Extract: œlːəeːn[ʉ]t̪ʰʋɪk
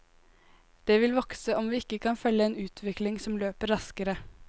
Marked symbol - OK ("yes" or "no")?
no